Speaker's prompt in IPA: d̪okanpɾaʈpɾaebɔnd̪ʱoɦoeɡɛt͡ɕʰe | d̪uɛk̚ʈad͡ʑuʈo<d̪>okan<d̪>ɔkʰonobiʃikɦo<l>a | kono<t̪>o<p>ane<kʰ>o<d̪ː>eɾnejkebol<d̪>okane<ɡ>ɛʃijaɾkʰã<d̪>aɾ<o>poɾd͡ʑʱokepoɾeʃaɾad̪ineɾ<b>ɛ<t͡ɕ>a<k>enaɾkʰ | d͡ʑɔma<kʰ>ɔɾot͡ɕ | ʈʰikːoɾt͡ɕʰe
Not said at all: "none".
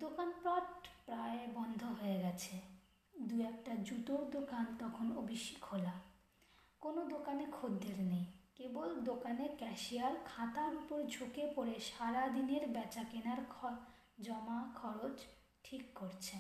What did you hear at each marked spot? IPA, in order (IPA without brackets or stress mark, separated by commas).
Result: d̪, t̪, l, d̪, k, kʰ, d̪ː, d̪, k, t̪, u, b, t͡ɕ, k, kʰ